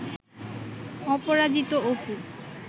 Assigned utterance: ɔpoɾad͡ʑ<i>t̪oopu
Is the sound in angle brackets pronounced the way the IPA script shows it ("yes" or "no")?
yes